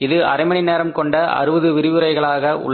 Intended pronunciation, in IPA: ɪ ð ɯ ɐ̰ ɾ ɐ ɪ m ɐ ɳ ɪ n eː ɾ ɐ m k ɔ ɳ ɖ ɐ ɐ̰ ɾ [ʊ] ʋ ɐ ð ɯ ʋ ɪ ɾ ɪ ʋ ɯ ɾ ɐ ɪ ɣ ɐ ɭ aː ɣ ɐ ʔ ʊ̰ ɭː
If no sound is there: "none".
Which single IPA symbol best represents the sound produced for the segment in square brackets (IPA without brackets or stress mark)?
ɯ